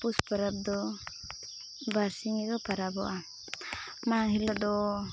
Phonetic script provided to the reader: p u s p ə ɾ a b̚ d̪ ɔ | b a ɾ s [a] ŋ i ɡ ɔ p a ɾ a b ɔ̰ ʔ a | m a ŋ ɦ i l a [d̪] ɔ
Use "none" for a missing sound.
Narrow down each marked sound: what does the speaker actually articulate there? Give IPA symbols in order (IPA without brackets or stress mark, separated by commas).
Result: i, d̪